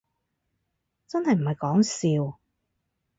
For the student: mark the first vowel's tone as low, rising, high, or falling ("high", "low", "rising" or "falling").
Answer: high